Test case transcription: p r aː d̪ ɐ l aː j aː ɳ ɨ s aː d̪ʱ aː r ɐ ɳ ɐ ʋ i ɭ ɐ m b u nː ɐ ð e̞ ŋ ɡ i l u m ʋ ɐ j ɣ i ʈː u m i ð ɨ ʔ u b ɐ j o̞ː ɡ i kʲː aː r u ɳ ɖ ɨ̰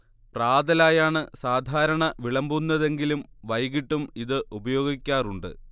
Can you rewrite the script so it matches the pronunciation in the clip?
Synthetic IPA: p r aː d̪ ɐ l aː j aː ɳ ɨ s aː d̪ʱ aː ɾ ɐ ɳ ɐ ʋ i ɭ ɐ m b u nː ɐ ð e̞ ŋ ɡ i l u m ʋ ɐ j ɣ i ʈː u m i ð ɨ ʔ u b ɐ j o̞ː ɡ i kʲː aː r u ɳ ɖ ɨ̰